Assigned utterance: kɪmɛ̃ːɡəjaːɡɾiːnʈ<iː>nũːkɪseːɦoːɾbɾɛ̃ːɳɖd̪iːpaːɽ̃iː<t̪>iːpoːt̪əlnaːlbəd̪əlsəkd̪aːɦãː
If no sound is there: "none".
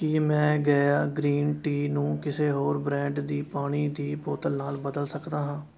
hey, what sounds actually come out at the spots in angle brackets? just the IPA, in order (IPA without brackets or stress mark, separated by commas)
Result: iː, d̪